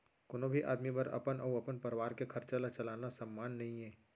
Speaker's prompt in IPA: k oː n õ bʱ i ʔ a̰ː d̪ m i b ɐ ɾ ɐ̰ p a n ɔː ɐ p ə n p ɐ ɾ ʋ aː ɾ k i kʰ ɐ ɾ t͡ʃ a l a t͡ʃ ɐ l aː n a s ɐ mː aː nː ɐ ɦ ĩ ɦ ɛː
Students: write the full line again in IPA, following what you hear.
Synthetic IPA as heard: k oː n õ bʱ i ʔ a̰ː d̪ m i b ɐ ɾ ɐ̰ p ə n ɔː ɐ p ə n p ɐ ɾ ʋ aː ɾ k e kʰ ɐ ɾ t͡ʃ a l a t͡ʃ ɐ l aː n a s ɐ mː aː nː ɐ ɦ ĩ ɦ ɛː